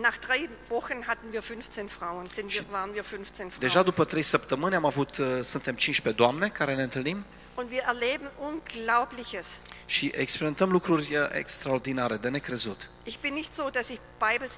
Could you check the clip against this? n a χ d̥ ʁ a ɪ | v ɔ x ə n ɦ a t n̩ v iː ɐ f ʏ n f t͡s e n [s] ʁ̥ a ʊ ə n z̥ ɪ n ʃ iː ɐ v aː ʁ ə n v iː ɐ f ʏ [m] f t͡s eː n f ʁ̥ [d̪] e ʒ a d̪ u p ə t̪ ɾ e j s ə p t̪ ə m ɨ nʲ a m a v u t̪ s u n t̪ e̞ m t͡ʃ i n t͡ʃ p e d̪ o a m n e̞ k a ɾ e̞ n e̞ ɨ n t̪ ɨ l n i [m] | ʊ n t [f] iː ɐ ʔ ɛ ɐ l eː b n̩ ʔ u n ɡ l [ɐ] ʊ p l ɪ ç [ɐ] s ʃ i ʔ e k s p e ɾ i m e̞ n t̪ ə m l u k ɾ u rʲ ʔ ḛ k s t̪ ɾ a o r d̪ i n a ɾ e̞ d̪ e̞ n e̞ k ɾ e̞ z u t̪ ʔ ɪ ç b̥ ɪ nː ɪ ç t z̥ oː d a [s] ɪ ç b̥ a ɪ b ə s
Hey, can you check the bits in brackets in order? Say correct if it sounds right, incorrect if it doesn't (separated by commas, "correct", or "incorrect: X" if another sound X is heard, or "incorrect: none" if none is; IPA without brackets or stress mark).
incorrect: f, incorrect: n, correct, correct, incorrect: v, incorrect: a, incorrect: ə, correct